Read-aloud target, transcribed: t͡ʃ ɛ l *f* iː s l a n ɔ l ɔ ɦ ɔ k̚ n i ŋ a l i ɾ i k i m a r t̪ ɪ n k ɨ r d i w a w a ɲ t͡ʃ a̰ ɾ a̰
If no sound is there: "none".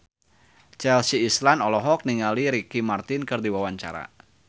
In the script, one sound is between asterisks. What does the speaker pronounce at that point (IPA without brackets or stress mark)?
s